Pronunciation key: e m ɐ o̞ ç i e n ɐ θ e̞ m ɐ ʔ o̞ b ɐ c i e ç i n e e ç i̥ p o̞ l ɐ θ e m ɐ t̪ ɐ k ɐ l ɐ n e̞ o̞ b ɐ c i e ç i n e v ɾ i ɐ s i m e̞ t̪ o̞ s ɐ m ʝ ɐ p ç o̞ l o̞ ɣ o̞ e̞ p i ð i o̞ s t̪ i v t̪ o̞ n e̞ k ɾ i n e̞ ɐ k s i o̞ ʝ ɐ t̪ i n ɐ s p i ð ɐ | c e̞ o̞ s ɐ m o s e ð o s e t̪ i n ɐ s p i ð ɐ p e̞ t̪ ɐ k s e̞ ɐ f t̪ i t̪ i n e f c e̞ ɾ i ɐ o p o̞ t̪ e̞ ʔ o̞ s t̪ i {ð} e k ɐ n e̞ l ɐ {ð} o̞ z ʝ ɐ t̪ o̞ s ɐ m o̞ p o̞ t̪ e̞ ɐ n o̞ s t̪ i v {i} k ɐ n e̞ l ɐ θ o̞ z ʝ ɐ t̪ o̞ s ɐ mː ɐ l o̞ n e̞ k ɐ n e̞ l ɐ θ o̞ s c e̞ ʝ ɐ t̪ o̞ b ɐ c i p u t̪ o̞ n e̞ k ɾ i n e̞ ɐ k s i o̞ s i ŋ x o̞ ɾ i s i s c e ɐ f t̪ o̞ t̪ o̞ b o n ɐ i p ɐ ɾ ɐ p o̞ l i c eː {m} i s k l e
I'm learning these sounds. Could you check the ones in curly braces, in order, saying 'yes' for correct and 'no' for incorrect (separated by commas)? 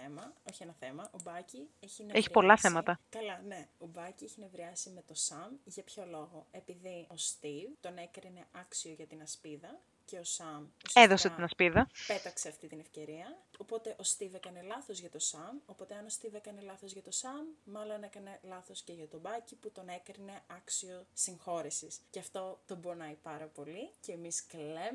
no, no, no, yes